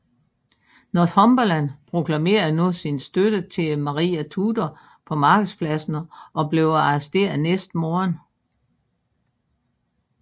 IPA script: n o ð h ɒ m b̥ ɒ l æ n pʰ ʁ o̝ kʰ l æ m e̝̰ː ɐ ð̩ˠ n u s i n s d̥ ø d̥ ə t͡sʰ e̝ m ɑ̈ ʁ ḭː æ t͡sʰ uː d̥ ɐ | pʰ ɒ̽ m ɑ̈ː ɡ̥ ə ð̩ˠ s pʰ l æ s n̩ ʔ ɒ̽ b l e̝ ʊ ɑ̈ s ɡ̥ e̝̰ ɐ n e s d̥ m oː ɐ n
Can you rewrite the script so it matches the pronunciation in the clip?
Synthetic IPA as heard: n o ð h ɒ m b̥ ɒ l æ n pʰ ʁ o̝ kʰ l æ m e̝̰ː ɐ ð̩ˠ n u s i n s d̥ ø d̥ ə t͡sʰ e̝ m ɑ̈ ʁ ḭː æ t͡sʰ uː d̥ ɐ | pʰ ɒ̽ m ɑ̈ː ɡ̥ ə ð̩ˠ s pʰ l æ s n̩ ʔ ɒ̽ b l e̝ ʊ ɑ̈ s d̥ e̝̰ ɐ n e s d̥ m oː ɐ n